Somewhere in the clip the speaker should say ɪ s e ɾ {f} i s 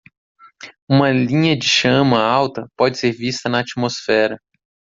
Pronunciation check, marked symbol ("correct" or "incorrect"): incorrect